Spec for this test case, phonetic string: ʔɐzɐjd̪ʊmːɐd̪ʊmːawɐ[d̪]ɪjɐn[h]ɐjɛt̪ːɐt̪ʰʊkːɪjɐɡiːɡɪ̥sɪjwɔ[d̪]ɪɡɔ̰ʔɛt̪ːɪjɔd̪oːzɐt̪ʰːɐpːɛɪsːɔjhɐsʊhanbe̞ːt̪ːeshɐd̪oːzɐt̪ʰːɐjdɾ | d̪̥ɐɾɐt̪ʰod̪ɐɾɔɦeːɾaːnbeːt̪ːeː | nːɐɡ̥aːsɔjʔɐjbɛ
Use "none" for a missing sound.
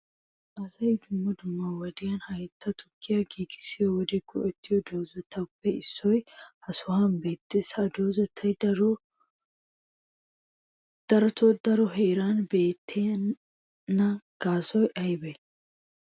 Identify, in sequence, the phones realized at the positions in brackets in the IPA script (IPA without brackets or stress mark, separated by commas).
d̪, h, d̪